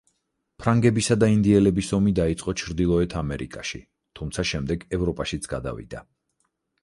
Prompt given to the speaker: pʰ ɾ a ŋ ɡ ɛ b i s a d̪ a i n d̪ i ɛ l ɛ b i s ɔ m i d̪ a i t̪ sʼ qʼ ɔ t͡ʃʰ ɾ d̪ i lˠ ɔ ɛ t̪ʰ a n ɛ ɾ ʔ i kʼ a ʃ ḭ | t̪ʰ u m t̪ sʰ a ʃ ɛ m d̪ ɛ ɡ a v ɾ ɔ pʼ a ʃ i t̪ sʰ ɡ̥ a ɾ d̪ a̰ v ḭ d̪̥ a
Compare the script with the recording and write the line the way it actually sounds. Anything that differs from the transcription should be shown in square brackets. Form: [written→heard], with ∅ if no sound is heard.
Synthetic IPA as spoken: pʰ ɾ a ŋ ɡ ɛ b i s a d̪ a i n d̪ i ɛ l ɛ b i s ɔ m i d̪ a i t̪ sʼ qʼ ɔ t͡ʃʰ ɾ d̪ i lˠ ɔ ɛ t̪ʰ a [n→m] ɛ ɾ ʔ i kʼ a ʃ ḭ | t̪ʰ u m t̪ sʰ a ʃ ɛ m d̪ ɛ ɡ [a→ɛ] v ɾ ɔ pʼ a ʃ i t̪ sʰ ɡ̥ a [ɾ→∅] d̪ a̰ v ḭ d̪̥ a